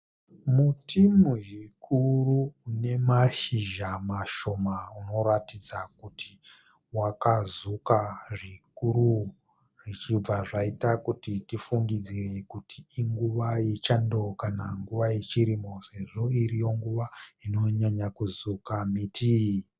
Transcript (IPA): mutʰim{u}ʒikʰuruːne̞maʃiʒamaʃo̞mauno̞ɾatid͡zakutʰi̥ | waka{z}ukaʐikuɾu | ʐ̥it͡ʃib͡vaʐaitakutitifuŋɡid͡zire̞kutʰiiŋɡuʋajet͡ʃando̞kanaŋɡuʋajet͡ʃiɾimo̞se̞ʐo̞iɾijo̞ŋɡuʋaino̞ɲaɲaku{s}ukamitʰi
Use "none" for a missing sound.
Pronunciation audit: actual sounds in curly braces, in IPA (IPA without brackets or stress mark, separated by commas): u, z, z